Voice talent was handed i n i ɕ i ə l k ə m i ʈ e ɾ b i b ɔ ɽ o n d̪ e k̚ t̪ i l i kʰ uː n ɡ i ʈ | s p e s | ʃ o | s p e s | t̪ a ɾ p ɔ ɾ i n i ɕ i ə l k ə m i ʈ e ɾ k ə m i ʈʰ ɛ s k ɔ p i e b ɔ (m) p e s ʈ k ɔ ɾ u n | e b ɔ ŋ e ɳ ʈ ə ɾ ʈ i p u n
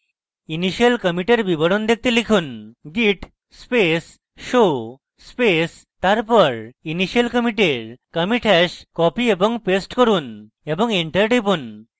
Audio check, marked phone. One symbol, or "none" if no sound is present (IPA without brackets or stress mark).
ŋ